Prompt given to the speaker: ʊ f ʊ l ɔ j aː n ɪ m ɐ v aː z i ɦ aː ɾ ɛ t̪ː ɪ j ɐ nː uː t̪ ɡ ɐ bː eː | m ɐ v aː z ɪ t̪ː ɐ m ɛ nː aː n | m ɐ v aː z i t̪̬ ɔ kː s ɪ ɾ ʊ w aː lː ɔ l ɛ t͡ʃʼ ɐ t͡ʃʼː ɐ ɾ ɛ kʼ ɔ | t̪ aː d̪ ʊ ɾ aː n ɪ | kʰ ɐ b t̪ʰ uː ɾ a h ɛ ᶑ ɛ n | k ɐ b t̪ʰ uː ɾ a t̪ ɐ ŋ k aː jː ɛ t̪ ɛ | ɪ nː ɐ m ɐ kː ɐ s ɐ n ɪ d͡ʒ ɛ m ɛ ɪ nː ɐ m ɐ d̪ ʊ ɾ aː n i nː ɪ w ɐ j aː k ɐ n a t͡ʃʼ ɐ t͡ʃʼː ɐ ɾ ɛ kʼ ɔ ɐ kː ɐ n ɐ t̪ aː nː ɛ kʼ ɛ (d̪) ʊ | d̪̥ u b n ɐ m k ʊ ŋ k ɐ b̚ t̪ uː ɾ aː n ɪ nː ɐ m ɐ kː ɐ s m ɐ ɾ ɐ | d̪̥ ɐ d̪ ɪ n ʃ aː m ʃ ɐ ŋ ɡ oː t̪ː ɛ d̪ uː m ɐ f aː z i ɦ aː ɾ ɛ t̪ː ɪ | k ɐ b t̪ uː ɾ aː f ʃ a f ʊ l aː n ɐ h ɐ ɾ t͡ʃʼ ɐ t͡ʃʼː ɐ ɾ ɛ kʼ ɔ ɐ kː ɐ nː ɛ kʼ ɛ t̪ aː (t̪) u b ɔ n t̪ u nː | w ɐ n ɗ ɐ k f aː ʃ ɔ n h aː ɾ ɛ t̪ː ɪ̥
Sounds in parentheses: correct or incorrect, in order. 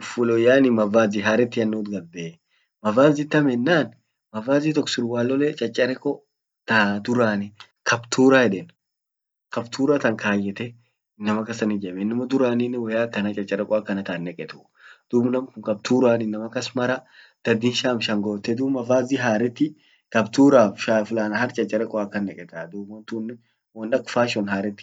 incorrect, incorrect

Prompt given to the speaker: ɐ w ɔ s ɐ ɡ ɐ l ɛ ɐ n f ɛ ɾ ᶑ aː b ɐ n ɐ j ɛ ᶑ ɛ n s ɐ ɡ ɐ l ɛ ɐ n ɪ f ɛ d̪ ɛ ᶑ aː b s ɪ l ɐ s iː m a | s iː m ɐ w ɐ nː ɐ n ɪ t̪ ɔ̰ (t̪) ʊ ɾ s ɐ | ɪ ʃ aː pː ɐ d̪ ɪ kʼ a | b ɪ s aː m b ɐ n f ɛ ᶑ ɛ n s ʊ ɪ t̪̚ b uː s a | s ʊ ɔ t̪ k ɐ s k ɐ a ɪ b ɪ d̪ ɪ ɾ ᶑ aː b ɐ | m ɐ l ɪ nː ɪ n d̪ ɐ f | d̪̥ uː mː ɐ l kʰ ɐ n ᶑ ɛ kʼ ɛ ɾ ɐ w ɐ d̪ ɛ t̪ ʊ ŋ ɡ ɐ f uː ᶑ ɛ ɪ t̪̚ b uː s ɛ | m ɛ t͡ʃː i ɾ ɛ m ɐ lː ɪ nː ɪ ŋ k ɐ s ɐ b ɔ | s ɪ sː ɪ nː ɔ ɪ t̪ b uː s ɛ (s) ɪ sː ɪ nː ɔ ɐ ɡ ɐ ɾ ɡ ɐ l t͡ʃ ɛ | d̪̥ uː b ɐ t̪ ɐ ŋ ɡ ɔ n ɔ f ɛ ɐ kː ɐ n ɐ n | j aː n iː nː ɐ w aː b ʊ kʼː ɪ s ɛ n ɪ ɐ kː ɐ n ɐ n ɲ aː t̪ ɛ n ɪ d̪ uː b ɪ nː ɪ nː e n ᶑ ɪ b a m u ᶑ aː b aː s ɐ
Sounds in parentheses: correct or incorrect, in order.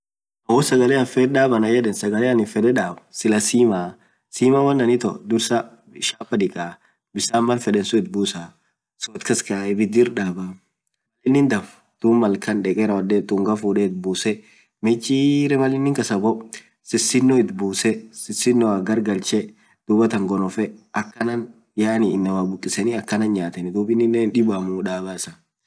incorrect, correct

